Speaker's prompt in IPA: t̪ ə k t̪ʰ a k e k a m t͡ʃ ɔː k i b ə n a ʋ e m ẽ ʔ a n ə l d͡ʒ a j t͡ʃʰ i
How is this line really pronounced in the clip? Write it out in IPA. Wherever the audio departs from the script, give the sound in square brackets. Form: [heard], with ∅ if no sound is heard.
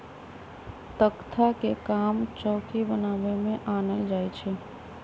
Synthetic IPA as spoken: t̪ ə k t̪ʰ a k e k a m t͡ʃ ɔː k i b ə n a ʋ e m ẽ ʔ a n ə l d͡ʒ a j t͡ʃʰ [e]